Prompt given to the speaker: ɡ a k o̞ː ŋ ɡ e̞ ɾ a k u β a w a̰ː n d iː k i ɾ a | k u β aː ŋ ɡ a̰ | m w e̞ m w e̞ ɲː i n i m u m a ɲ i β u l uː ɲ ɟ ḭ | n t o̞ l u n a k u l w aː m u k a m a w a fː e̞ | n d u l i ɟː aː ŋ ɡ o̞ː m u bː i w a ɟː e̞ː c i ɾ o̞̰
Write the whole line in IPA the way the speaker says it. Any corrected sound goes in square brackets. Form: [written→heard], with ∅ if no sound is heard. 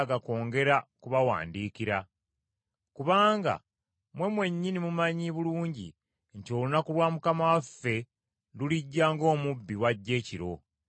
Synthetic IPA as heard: ɡ a k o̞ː ŋ ɡ e̞ ɾ a k u β a w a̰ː n d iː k i ɾ a | k u β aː ŋ ɡ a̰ | m w e̞ m w e̞ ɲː i n i m u m a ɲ i β u l uː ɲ ɟ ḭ | n t o̞ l u n a k u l w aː m u k a m a w a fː e̞ | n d u l i ɟː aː ŋ ɡ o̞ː m u bː i w a ɟː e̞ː c i ɾ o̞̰